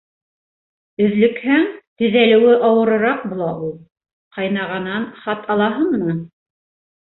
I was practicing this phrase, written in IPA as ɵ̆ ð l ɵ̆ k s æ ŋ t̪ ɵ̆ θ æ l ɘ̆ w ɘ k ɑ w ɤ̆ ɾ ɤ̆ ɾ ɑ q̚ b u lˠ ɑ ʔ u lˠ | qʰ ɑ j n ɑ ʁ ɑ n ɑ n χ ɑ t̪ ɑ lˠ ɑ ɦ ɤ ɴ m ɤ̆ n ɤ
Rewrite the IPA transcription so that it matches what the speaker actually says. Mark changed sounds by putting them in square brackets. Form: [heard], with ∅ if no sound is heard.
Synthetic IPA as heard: ɵ̆ ð l ɵ̆ k [h] æ ŋ t̪ ɵ̆ [ð] æ l ɘ̆ w ɘ [ʔ] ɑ w ɤ̆ ɾ ɤ̆ ɾ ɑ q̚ b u lˠ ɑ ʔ u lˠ | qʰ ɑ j n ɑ ʁ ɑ n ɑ n χ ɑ t̪ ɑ lˠ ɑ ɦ ɤ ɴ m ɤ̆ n ɤ